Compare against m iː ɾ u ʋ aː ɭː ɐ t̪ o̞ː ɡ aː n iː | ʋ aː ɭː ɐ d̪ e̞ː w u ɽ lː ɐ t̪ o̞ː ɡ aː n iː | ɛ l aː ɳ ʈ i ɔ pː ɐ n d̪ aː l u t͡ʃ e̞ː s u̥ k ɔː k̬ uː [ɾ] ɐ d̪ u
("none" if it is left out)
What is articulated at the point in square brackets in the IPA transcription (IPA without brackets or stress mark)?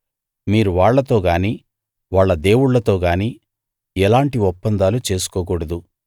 ɽ